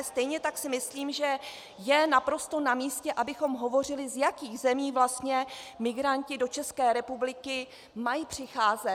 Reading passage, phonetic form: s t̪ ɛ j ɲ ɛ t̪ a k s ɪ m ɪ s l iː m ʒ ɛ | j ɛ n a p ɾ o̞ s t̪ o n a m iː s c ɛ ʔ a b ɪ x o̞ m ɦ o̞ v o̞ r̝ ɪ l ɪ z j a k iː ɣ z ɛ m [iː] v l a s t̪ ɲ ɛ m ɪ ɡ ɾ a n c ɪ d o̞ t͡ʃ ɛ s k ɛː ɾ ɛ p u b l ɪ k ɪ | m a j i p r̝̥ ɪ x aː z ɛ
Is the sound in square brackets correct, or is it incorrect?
correct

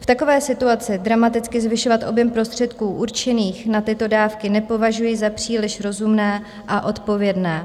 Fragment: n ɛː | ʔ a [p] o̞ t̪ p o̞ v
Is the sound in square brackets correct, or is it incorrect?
incorrect: ʔ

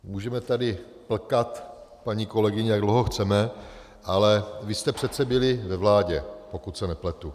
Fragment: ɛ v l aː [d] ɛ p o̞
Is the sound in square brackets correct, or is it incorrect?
incorrect: ɟ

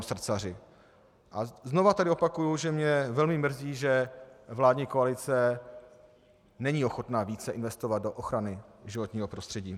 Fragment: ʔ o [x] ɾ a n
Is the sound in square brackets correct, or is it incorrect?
correct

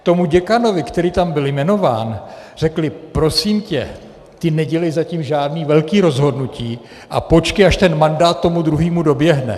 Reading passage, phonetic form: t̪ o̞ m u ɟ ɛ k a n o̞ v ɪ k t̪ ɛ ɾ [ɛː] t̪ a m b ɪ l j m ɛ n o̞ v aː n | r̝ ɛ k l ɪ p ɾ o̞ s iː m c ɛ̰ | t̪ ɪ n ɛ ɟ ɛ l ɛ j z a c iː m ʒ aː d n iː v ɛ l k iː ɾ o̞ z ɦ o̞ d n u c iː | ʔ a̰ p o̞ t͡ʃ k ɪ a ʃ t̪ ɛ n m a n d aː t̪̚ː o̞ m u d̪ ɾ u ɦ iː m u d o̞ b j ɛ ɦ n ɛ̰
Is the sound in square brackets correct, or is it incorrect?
incorrect: iː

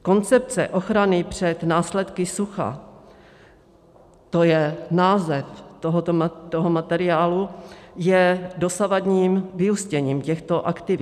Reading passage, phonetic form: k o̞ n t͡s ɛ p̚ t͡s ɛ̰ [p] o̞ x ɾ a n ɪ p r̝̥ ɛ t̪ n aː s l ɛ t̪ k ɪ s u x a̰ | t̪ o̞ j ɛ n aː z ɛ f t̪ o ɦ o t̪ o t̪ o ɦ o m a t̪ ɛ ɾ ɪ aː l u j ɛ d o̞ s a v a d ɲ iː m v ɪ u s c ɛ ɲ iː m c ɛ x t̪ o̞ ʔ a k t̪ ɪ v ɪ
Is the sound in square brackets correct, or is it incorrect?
incorrect: ʔ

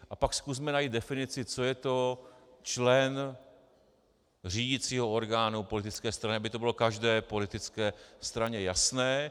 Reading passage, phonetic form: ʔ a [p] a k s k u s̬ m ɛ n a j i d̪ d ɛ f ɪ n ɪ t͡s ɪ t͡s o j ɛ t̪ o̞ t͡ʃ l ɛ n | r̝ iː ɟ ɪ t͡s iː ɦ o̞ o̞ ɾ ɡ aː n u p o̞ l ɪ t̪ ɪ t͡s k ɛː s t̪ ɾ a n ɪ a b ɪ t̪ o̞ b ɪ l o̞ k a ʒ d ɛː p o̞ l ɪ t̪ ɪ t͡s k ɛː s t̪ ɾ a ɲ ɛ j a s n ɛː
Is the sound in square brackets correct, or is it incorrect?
correct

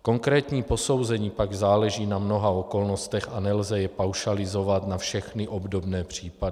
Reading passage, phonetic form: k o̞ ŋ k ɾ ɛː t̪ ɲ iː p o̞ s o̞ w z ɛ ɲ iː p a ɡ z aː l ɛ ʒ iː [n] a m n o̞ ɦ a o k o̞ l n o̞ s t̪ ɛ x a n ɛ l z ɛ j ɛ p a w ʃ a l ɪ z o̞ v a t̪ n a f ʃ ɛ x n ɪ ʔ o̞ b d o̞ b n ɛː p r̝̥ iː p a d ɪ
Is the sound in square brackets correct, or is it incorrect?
correct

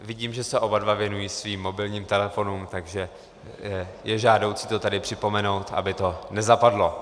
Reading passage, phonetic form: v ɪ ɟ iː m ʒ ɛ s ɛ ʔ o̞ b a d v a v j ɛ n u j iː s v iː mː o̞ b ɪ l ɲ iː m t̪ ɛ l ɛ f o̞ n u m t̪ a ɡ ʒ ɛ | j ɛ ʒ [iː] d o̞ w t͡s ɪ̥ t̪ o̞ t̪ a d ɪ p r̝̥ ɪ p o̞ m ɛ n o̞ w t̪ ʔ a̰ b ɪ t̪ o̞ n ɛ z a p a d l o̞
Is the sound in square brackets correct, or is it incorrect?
incorrect: aː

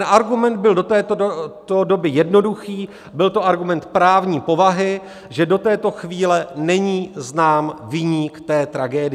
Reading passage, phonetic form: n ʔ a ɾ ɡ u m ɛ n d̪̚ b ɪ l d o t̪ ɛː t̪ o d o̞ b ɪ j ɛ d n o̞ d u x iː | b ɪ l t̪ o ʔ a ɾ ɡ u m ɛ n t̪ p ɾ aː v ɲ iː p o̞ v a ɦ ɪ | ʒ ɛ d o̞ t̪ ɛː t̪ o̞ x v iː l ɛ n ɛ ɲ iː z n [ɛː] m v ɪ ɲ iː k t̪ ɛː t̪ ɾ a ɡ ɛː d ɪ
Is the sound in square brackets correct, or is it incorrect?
incorrect: aː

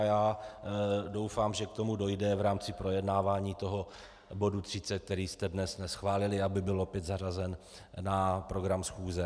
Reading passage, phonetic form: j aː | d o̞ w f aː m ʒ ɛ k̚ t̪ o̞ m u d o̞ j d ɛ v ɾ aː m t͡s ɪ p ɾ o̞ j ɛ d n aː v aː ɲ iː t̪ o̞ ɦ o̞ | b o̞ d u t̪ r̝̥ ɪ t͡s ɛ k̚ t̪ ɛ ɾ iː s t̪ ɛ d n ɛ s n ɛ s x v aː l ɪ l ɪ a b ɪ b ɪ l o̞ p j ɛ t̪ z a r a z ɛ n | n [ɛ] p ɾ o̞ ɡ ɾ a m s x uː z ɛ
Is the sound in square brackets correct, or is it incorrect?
incorrect: a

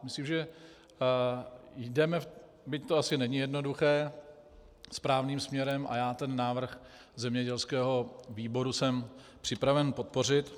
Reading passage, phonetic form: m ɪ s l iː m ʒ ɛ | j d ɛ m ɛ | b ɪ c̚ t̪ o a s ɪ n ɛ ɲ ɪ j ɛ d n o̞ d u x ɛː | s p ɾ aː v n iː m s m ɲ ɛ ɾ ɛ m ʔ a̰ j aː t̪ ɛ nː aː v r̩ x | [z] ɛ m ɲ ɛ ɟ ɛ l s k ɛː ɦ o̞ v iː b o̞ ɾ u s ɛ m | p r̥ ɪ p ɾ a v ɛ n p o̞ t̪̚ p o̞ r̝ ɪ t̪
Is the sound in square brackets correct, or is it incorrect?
correct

